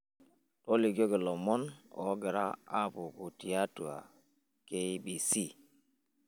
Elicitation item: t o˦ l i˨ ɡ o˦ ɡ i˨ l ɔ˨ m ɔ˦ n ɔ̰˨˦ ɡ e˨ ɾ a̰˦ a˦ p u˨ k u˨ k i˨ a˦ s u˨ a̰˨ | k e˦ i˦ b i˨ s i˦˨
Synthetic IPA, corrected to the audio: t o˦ l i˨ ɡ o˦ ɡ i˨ l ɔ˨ m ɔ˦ n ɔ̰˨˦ ɡ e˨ ɾ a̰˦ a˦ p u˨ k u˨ t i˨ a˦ t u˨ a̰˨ | k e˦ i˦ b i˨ s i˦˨